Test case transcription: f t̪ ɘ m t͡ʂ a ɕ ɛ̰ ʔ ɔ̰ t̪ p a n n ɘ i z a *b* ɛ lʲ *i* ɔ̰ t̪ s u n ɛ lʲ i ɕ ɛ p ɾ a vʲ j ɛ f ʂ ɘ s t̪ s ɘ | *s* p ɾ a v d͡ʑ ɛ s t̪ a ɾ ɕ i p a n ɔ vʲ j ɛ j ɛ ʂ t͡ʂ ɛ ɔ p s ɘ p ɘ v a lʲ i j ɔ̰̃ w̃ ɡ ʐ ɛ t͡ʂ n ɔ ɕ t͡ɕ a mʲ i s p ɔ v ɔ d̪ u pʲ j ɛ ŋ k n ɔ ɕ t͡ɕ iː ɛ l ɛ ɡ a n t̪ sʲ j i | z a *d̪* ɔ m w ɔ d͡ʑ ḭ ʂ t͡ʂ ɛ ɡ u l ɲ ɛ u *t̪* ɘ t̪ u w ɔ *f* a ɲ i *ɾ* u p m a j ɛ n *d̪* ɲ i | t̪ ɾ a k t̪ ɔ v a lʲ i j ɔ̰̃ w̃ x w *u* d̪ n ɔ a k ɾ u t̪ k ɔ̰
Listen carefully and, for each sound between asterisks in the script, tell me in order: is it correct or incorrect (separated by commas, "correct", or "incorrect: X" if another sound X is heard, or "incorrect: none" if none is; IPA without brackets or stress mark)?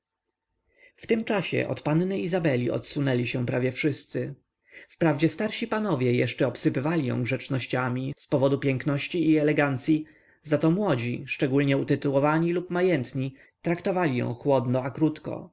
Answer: correct, correct, incorrect: f, incorrect: t̪, correct, incorrect: v, incorrect: l, incorrect: t̪, incorrect: ɔ